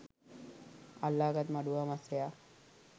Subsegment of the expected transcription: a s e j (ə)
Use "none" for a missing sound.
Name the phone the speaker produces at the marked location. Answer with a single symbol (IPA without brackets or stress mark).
a